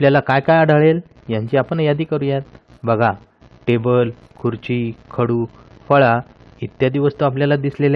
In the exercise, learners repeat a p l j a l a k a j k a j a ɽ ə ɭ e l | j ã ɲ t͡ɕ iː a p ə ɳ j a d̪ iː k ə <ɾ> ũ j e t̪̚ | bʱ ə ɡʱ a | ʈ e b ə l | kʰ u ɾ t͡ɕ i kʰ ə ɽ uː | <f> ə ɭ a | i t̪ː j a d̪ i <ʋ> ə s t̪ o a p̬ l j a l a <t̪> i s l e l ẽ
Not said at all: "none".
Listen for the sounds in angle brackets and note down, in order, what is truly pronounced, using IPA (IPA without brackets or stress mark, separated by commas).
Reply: ɾ, f, ʋ, d̪